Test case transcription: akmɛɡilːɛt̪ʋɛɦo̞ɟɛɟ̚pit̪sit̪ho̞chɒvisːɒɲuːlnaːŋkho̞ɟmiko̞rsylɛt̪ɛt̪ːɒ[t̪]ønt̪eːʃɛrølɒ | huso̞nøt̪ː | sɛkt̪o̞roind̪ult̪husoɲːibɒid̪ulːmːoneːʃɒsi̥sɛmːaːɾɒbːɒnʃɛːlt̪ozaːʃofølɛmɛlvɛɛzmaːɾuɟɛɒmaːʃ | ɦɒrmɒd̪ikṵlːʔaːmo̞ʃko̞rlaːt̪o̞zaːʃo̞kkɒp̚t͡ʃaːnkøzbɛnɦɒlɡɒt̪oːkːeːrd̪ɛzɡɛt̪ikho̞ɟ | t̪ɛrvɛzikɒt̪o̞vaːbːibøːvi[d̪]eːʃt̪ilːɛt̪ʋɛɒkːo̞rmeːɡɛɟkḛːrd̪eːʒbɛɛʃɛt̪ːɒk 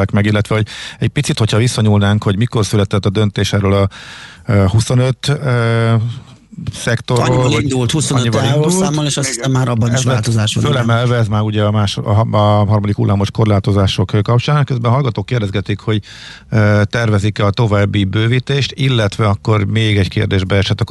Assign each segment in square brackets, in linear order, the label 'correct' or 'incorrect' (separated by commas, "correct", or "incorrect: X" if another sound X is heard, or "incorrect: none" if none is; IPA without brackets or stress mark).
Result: incorrect: d̪, incorrect: t̪